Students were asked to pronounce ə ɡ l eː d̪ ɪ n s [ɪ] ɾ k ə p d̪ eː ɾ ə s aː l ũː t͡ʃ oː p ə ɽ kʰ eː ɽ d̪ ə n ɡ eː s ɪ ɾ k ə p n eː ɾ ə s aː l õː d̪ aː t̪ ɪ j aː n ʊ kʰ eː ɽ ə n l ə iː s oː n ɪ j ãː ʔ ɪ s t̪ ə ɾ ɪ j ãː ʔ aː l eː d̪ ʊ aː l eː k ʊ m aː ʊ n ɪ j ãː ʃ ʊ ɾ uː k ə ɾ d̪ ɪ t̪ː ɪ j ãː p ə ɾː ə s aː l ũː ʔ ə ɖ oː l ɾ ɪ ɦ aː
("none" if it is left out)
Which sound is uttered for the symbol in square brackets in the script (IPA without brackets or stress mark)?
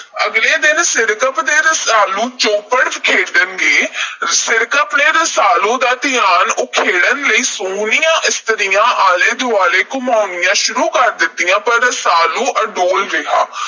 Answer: ɪ